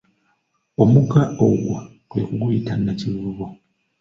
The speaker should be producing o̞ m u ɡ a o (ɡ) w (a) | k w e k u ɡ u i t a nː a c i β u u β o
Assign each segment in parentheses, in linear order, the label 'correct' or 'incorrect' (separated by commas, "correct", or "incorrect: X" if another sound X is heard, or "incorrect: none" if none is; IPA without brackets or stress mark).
correct, correct